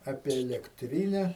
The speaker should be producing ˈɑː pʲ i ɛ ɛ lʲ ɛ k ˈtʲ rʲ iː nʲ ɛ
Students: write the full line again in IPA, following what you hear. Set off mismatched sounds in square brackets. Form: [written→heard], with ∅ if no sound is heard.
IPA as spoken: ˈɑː pʲ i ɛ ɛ lʲ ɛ k ˈtʲ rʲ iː nʲ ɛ